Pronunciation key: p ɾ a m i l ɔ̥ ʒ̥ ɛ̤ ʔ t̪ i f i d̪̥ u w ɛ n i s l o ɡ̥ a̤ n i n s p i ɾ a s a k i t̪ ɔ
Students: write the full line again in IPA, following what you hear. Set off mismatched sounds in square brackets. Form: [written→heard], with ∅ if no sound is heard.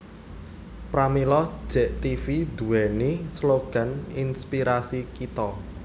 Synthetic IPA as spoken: p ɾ a m i l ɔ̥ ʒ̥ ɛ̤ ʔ t̪ i f i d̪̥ u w ɛ n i s l o ɡ̥ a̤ n i n s p i ɾ a s [a→i] k i t̪ ɔ